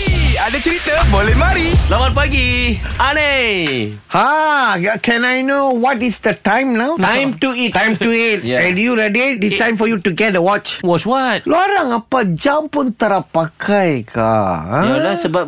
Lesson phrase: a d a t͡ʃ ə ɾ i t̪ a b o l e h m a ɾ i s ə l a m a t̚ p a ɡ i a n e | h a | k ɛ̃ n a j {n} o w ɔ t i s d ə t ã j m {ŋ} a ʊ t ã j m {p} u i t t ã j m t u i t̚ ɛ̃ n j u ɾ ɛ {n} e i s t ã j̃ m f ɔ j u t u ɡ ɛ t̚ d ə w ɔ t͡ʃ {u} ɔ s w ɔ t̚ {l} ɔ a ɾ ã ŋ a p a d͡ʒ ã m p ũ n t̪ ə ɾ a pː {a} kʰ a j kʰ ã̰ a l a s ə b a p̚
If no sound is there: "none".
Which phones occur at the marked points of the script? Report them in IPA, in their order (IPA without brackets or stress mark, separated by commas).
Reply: n, n, t, d, w, l, a